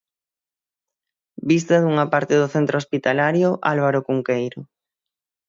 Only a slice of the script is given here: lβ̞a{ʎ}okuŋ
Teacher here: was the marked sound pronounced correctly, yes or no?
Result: no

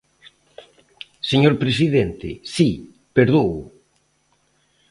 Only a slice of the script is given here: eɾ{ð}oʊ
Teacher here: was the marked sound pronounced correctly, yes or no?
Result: yes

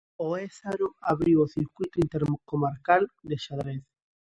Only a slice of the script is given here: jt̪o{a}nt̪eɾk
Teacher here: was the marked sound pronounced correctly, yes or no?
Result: no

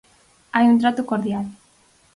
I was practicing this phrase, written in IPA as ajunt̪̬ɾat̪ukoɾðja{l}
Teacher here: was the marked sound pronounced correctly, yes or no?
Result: yes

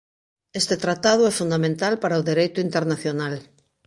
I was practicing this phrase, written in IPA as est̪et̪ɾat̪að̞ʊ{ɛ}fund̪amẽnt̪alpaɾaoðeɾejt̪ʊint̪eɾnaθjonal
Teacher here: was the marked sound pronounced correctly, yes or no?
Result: yes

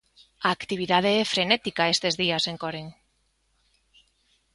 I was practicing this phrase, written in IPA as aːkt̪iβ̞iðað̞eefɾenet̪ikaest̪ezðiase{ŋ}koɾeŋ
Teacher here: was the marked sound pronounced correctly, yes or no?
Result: yes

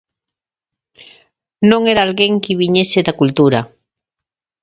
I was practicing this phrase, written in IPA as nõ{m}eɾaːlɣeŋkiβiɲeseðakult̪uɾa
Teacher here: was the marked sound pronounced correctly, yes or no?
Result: no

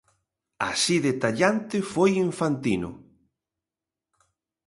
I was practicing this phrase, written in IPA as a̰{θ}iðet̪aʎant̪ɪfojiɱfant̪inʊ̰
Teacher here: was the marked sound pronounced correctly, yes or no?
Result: no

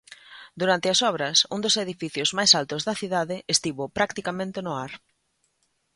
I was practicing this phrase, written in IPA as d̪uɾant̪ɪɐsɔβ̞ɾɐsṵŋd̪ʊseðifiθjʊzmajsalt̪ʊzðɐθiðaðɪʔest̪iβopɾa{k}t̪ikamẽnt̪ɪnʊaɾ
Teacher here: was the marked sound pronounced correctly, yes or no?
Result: yes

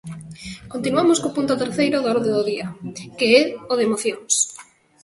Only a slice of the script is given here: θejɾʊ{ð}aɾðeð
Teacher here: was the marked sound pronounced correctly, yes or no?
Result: yes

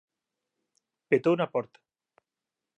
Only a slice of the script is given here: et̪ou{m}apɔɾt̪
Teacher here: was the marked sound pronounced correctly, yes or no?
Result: no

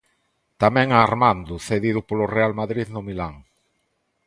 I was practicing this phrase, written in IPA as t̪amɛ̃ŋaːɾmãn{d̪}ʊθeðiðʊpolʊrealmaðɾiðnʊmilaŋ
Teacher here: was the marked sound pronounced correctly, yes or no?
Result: yes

